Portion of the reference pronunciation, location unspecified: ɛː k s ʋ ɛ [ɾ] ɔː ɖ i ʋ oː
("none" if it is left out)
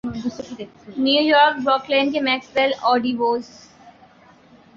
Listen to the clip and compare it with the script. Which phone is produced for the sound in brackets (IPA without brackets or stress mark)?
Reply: l